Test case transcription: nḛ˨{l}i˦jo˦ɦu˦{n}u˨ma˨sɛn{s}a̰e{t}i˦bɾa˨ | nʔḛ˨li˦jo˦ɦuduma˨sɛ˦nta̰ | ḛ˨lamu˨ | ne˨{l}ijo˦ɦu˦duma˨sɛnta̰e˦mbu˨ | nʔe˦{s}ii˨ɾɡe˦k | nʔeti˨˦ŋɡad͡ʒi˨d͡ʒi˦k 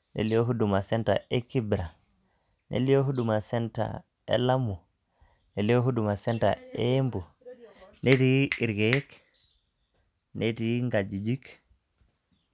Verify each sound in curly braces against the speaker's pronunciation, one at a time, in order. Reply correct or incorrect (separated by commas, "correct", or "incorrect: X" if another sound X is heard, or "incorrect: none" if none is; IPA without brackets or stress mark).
correct, incorrect: d, incorrect: t, incorrect: k, correct, incorrect: t